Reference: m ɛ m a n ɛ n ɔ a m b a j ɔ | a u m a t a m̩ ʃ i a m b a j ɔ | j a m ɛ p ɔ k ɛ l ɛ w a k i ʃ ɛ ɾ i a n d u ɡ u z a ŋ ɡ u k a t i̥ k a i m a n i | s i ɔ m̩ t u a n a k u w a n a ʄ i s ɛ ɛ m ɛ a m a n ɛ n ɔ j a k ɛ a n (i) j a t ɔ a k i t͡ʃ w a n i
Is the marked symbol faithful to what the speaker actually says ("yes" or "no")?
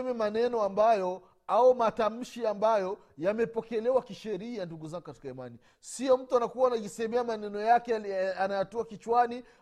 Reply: no